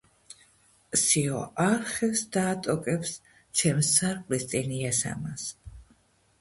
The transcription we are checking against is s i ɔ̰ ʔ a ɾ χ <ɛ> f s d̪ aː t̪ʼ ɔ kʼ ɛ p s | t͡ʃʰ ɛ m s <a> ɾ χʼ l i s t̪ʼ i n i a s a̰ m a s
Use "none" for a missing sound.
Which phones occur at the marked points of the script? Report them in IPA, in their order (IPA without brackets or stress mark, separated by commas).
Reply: ɛ, a